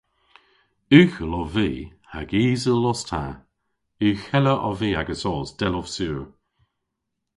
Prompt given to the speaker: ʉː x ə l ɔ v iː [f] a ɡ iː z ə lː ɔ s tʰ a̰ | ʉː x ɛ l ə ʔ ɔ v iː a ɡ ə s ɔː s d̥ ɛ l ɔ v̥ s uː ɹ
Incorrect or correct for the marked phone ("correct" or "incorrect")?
incorrect